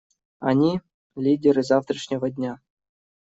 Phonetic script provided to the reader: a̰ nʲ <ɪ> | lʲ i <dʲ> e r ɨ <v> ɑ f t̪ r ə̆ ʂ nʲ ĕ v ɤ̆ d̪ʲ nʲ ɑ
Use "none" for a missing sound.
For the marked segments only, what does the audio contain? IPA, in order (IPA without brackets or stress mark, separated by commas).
i, dʲ, z